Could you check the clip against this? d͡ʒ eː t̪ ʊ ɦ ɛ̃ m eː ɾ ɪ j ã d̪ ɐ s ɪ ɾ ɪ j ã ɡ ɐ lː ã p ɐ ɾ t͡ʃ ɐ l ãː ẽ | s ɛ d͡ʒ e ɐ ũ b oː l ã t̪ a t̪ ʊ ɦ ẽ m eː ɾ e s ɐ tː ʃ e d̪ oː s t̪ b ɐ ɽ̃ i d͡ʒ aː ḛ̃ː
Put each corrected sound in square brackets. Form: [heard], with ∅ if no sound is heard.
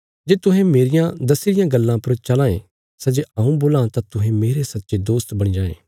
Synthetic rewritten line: d͡ʒ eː t̪ ʊ ɦ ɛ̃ m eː ɾ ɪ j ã d̪ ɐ s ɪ ɾ ɪ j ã ɡ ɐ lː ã p ɐ ɾ t͡ʃ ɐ l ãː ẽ | s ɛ d͡ʒ e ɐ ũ b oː l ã t̪ a t̪ ʊ ɦ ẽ m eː ɾ e s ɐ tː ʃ e d̪ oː s t̪ b ɐ ɽ̃ i d͡ʒ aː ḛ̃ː

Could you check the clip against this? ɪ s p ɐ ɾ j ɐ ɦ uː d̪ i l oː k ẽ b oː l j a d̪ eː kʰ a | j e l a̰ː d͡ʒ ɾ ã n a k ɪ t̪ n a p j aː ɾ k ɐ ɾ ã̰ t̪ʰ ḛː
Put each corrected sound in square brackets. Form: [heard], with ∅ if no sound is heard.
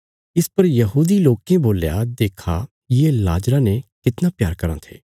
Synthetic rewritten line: ɪ s p ɐ ɾ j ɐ ɦ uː d̪ i l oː k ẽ b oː l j a d̪ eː kʰ a | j e l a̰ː d͡ʒ ɾ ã n [e] k ɪ t̪ n a p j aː ɾ k ɐ ɾ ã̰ t̪ʰ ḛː

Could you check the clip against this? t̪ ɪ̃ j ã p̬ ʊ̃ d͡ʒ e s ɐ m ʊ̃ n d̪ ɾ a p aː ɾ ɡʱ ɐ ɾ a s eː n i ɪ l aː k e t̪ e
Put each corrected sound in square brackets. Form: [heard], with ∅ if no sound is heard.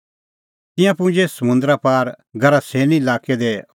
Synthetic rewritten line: t̪ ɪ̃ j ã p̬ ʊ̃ d͡ʒ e s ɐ m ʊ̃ n d̪ ɾ a p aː ɾ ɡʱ ɐ ɾ a s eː n i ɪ l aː k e [d̪] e

